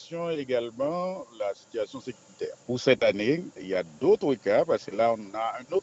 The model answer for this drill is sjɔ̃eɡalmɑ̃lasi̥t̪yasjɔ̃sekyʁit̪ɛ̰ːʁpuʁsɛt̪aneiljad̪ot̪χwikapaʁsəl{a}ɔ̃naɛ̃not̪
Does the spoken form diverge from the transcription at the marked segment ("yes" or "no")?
no